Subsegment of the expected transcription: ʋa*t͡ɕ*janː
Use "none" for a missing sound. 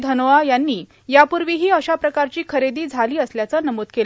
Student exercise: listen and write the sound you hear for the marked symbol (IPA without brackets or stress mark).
none